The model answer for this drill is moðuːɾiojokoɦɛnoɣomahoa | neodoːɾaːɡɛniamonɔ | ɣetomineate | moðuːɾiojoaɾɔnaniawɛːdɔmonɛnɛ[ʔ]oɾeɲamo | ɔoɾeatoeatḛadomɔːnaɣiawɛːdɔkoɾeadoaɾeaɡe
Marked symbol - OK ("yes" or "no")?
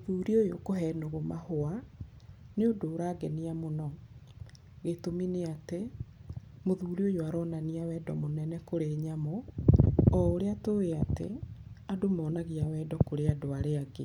no